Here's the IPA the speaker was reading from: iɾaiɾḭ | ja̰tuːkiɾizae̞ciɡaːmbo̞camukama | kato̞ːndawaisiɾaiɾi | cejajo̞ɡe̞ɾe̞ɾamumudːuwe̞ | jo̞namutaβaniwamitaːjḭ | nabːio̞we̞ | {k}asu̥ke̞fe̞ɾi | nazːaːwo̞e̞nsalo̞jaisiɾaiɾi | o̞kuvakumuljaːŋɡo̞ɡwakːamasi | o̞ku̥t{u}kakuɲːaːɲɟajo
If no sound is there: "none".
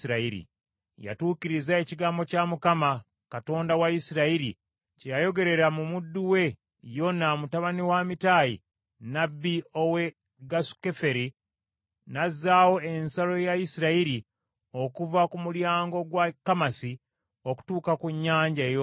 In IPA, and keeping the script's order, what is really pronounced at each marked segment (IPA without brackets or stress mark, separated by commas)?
ɡ, uː